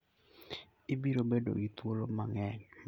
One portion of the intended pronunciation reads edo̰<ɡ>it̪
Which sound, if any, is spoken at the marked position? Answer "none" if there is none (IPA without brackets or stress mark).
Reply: ɡ